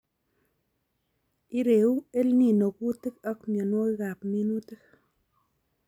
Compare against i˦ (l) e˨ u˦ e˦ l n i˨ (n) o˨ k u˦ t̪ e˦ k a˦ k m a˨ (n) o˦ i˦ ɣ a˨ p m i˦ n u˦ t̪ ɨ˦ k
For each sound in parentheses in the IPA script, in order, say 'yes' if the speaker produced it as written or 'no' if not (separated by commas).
no, yes, yes